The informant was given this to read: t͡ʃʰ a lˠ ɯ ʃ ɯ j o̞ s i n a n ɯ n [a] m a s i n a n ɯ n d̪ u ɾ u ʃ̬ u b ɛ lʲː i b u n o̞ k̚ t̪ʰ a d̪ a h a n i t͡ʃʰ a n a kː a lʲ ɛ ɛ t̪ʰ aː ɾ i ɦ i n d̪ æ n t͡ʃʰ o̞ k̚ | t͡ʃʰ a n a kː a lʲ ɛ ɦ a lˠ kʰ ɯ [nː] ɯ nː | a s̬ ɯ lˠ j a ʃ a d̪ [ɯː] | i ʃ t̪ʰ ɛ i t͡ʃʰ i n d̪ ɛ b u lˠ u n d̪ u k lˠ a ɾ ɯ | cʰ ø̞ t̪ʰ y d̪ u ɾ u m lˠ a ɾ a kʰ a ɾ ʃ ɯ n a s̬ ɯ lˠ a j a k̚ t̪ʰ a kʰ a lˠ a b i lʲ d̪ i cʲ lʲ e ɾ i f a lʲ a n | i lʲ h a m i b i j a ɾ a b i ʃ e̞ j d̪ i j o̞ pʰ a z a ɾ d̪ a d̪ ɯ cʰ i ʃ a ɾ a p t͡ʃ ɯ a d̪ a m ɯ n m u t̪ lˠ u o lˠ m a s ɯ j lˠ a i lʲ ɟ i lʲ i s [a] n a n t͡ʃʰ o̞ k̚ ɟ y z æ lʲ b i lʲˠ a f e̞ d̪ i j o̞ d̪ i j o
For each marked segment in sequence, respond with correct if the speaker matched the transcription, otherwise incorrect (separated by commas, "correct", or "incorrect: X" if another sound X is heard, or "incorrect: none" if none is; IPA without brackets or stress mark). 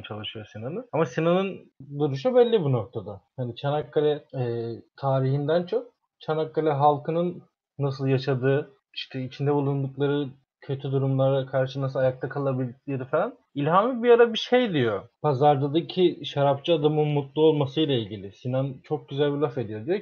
correct, incorrect: n, correct, incorrect: i